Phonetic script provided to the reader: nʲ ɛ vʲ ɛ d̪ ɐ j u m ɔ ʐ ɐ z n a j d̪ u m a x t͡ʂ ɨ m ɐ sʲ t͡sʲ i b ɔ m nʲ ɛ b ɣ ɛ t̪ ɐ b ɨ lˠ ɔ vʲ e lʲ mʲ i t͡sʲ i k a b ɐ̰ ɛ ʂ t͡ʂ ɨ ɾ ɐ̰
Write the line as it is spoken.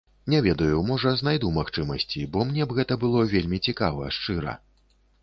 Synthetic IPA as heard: nʲ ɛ vʲ ɛ d̪ ɐ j u m ɔ ʐ ɐ z n a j d̪ u m a x t͡ʂ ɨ m ɐ sʲ t͡sʲ i b ɔ m nʲ ɛ b ɣ ɛ t̪ ɐ b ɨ lˠ ɔ vʲ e lʲ mʲ i t͡sʲ i k a v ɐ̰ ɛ ʂ t͡ʂ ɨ ɾ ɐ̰